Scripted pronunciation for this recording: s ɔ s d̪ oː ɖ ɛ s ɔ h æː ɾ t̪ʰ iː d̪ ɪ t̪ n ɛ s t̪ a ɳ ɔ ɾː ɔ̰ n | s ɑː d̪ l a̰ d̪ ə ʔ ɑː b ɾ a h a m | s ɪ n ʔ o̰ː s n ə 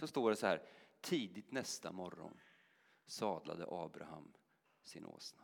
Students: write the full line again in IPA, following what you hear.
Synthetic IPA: s ɔ s t̪ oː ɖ ɛ s ɔ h æː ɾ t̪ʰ iː d̪ ɪ t̪ n ɛ s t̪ a m ɔ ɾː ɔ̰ n | s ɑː d̪ l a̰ d̪ ə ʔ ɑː b ɾ a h a m | s ɪ n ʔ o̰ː s n a